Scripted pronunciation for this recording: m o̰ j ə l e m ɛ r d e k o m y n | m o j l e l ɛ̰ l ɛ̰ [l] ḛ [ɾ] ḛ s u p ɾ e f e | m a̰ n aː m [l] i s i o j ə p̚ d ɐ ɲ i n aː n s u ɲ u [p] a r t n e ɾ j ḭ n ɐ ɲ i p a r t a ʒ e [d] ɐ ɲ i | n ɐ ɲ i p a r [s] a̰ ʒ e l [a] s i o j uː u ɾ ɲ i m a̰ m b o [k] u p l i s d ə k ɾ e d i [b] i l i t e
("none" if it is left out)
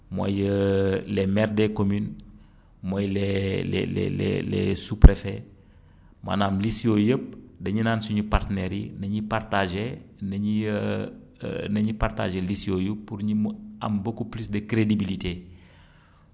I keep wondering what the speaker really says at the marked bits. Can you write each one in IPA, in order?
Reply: l, l, l, p, n, t, i, k, b

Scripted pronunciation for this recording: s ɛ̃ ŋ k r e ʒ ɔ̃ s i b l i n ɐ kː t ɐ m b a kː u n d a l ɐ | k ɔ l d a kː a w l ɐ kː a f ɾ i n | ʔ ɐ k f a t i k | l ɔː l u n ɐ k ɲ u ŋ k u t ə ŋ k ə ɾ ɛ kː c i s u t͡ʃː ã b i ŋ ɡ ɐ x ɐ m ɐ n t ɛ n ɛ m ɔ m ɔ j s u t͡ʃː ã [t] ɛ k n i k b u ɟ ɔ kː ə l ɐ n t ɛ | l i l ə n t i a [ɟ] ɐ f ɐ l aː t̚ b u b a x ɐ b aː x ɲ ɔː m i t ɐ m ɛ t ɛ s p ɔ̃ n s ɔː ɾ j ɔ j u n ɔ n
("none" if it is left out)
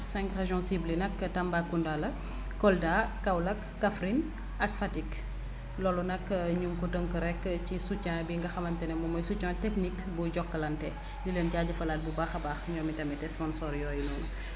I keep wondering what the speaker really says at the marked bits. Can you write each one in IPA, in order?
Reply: t, ɟ

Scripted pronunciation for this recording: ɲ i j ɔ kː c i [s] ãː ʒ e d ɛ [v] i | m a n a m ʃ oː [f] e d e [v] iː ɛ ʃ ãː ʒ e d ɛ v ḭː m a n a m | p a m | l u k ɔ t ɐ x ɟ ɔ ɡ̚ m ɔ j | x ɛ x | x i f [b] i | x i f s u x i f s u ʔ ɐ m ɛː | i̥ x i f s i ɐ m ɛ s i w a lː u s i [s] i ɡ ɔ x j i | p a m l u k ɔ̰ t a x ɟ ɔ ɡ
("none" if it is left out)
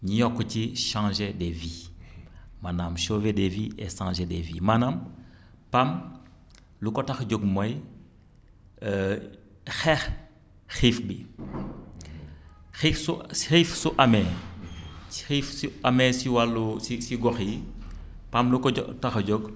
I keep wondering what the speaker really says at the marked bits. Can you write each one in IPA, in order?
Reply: ʃ, v, v, v, b, s

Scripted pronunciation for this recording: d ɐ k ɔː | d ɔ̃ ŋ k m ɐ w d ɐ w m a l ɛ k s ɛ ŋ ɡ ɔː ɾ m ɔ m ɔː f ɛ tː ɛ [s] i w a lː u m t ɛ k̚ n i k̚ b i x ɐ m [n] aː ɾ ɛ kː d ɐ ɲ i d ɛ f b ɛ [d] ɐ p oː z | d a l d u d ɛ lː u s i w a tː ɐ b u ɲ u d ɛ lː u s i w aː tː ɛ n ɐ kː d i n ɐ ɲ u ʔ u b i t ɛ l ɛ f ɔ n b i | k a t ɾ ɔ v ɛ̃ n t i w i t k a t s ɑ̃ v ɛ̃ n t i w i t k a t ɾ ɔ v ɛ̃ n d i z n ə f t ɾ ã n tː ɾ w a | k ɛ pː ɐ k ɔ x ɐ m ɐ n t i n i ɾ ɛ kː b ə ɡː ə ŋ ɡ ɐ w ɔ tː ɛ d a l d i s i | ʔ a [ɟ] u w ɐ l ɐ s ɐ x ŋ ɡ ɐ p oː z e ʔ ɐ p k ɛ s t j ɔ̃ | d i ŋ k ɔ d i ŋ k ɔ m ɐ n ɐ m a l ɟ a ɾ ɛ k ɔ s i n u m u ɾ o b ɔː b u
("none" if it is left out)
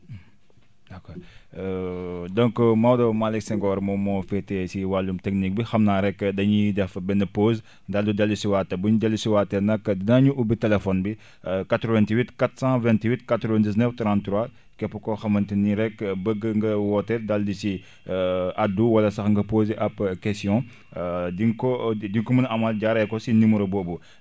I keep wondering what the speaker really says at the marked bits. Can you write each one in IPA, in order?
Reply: s, n, n, d

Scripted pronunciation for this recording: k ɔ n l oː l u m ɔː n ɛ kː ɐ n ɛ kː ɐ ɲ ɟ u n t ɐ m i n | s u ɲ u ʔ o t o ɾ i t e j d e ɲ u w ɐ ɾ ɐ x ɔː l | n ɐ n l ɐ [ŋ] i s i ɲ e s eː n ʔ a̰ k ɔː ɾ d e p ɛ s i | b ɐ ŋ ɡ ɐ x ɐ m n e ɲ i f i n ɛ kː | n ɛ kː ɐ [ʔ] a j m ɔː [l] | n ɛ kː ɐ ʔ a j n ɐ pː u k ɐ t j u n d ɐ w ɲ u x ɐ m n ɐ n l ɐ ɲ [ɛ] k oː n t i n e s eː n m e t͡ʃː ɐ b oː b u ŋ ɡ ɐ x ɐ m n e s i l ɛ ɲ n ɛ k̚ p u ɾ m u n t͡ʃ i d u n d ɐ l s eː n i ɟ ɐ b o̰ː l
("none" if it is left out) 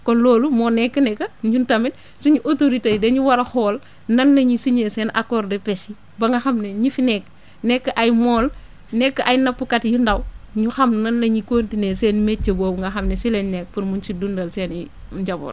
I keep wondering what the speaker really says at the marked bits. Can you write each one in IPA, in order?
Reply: ɲ, ʔ, l, i

